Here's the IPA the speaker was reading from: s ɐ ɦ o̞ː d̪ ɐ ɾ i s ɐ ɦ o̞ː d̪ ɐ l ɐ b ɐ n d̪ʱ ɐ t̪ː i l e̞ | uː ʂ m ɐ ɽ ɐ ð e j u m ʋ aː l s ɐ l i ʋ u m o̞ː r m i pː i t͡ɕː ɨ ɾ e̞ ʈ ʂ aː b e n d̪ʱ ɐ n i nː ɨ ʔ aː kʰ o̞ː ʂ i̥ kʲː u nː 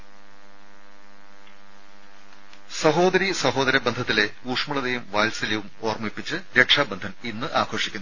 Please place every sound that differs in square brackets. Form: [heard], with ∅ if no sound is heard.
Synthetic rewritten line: s ɐ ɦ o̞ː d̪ ɐ ɾ i s ɐ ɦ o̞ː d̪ ɐ [ɾ] ɐ b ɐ n d̪ʱ ɐ t̪ː i l e̞ | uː ʂ m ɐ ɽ ɐ ð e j u m ʋ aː l s ɐ l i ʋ u m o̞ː r m i pː i t͡ɕː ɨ ɾ e̞ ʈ ʂ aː b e n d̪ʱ ɐ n i nː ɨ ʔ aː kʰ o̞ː ʂ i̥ kʲː u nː